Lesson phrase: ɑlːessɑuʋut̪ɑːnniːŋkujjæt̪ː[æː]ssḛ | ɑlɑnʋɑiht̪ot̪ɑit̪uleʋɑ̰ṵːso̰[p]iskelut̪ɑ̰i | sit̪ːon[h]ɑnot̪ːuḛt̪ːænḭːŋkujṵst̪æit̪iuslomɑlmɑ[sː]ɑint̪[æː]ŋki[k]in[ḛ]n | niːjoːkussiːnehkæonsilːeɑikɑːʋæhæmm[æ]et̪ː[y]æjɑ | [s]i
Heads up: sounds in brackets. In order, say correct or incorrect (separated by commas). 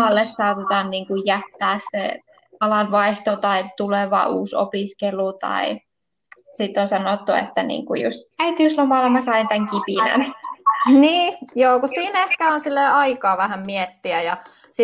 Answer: correct, correct, incorrect, incorrect, incorrect, incorrect, incorrect, incorrect, incorrect, correct